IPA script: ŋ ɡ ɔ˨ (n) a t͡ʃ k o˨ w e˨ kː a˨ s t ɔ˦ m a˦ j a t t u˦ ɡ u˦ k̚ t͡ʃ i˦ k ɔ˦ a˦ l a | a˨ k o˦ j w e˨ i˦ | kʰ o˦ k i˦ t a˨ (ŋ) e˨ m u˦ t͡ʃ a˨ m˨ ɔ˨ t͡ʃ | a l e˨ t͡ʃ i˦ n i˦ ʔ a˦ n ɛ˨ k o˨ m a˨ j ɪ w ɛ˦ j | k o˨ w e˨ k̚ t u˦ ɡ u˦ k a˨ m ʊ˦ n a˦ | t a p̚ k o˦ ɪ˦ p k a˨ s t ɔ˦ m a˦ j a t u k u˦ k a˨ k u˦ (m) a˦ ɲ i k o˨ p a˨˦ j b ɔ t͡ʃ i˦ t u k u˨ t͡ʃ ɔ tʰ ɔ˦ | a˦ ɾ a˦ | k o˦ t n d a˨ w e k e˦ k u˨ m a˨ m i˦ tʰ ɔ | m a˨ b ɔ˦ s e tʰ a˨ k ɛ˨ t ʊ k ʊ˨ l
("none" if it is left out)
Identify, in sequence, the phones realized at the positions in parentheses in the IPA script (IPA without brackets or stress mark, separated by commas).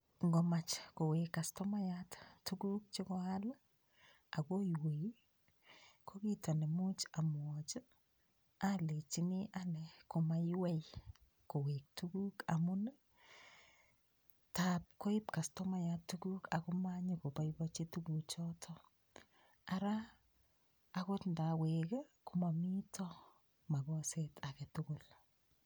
m, n, m